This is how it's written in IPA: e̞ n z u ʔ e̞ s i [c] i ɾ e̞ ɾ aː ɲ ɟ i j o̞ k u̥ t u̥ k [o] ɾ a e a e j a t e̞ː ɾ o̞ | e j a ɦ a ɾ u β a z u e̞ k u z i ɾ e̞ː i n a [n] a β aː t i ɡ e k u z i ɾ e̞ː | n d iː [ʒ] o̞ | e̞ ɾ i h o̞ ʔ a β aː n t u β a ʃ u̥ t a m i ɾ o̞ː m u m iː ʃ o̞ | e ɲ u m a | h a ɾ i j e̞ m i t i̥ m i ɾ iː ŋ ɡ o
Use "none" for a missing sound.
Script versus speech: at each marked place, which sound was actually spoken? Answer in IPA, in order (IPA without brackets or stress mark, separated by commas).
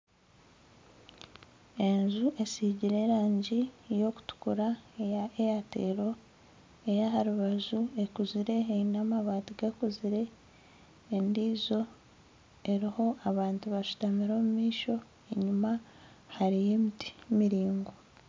ɟ, u, m, z